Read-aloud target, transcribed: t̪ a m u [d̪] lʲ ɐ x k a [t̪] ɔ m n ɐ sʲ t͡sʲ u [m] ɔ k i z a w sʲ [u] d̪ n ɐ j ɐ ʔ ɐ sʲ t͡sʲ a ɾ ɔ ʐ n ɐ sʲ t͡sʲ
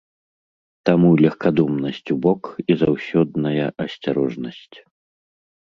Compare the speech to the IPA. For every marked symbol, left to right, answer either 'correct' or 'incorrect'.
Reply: incorrect, incorrect, incorrect, incorrect

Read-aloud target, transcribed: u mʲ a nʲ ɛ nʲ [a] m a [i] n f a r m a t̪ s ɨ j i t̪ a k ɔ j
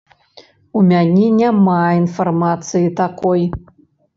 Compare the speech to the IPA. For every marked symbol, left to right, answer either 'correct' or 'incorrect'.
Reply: correct, correct

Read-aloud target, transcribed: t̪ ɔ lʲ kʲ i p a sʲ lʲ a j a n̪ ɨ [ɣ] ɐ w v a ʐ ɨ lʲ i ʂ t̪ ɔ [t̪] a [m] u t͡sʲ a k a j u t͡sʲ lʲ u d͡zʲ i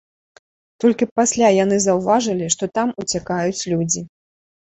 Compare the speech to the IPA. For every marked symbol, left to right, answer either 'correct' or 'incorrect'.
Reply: incorrect, correct, correct

